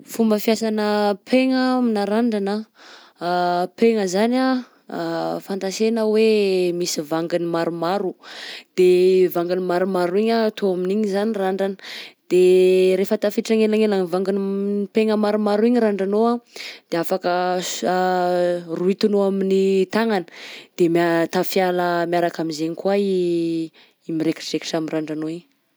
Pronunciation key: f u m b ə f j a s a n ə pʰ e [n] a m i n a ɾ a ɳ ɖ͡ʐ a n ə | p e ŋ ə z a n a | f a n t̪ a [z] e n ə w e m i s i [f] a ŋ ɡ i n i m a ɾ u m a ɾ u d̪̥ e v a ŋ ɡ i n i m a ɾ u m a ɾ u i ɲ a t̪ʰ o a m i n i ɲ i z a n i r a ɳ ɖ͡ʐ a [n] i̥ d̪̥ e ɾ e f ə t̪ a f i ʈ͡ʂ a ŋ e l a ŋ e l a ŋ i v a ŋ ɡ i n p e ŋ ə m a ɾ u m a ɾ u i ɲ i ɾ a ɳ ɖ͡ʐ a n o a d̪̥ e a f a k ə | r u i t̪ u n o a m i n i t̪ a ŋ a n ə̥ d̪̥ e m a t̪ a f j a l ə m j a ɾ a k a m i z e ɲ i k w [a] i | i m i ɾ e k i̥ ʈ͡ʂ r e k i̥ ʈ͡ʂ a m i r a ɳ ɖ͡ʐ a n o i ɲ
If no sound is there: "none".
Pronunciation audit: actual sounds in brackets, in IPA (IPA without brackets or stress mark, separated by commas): ŋ, s, v, n, a